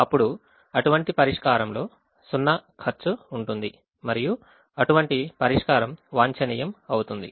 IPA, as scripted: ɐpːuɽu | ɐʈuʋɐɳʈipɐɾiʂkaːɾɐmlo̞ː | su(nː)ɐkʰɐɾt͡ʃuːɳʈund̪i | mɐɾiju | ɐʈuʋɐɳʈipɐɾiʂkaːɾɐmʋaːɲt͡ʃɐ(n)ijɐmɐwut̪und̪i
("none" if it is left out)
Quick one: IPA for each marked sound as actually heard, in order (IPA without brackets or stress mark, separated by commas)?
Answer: nː, n